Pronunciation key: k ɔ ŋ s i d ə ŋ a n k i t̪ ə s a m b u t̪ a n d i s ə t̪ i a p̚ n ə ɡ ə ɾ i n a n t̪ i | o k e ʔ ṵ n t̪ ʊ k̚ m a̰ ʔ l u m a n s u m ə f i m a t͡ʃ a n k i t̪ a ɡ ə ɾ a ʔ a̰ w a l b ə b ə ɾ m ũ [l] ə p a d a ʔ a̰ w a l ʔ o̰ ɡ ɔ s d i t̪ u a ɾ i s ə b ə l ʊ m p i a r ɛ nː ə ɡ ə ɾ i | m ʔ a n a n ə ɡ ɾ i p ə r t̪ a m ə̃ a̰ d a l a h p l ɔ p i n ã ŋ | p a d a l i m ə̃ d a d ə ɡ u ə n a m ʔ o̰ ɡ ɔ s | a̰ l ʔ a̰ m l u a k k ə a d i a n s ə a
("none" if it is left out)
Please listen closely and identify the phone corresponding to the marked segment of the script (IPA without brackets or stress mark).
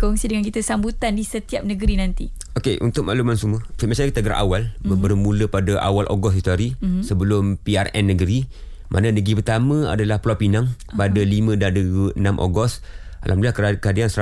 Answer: l